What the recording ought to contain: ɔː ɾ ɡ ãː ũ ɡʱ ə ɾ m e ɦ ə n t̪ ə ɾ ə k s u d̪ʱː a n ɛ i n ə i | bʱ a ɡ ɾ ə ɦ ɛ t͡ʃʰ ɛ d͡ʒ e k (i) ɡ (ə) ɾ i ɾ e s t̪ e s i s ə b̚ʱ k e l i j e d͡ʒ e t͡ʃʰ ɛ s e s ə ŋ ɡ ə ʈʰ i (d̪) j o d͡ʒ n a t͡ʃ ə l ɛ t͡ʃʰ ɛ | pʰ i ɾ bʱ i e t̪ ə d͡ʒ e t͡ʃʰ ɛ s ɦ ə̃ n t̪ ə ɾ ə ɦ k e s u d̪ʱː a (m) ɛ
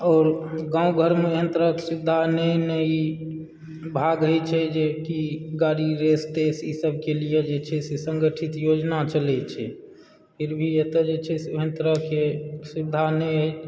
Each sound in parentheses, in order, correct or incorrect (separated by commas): correct, incorrect, incorrect, incorrect